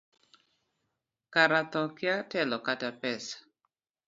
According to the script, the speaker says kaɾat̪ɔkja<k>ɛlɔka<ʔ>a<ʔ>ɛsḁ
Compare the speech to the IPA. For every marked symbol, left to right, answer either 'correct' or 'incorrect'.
incorrect, incorrect, incorrect

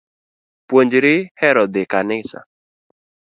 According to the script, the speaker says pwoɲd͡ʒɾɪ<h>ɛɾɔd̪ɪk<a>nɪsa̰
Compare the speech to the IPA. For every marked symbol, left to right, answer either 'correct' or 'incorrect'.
correct, correct

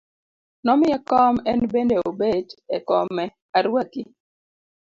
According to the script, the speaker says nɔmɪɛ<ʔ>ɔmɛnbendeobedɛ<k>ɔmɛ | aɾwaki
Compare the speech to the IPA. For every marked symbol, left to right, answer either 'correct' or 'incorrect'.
incorrect, correct

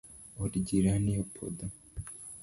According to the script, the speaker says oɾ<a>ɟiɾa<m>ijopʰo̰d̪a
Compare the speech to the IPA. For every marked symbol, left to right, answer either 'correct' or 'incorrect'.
incorrect, incorrect

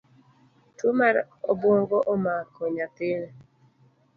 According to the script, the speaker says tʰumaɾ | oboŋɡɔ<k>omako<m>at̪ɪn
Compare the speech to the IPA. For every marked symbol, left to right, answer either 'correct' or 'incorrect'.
incorrect, incorrect

